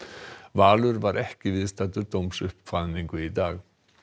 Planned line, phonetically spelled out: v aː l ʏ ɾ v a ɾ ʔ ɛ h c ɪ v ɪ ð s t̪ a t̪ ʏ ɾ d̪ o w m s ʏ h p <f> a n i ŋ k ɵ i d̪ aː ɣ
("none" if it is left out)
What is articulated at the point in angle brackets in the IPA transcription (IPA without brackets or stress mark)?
f